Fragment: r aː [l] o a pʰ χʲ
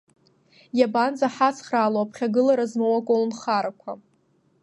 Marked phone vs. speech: correct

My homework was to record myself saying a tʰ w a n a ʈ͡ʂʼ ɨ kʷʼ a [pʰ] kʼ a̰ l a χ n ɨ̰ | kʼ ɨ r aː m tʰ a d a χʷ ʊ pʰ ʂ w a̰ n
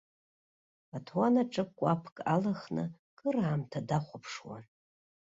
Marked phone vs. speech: correct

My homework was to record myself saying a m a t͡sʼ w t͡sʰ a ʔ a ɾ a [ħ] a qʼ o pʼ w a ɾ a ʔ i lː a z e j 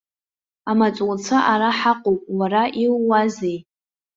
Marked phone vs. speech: correct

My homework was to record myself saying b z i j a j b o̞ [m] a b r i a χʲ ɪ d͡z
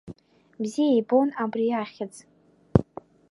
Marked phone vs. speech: incorrect: n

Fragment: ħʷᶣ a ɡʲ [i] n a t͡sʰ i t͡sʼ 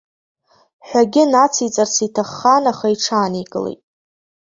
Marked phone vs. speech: incorrect: ɪ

